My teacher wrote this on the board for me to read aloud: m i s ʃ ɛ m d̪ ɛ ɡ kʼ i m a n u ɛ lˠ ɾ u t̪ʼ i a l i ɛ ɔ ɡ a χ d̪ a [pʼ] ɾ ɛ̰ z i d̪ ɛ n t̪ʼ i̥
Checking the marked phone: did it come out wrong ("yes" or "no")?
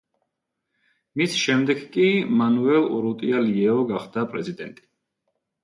no